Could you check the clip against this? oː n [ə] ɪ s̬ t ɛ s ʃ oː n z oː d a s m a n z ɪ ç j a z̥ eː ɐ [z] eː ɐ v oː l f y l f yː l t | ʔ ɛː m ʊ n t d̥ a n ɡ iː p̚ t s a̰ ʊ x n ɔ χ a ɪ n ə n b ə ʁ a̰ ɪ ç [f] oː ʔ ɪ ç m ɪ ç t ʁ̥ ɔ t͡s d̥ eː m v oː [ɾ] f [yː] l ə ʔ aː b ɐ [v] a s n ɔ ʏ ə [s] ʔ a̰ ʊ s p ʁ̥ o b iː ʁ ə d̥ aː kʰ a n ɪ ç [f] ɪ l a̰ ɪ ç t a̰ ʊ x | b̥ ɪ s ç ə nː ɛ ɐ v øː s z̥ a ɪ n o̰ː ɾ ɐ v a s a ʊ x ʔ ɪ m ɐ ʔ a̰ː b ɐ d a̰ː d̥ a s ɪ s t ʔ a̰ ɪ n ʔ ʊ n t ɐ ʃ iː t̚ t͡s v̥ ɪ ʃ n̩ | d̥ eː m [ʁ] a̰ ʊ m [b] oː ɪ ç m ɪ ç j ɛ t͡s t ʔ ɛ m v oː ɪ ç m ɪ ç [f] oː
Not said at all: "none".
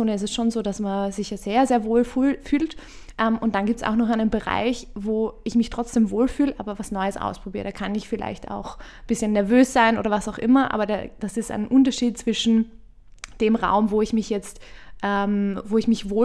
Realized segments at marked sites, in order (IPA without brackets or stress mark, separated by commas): ə, z, v, l, yː, v, s, f, ʁ, v, v